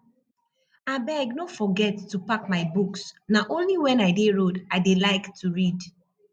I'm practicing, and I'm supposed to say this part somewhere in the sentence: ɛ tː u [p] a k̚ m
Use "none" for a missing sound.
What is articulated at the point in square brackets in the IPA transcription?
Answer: p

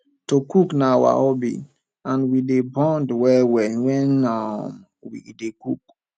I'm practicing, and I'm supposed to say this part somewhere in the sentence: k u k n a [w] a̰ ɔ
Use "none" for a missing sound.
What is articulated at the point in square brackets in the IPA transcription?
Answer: w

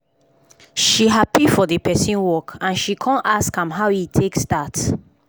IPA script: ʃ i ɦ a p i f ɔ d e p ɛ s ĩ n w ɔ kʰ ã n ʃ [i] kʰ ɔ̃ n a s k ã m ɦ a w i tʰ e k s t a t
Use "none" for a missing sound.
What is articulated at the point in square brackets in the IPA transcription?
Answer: i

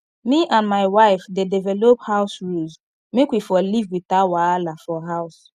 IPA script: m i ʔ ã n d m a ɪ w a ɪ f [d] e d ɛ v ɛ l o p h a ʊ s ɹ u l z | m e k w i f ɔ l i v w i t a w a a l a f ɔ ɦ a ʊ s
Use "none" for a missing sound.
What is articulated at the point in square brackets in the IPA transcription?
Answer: d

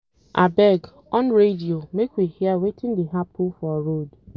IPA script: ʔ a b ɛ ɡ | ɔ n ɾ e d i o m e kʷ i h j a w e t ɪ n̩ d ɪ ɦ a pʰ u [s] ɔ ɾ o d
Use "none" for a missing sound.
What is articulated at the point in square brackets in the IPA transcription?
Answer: f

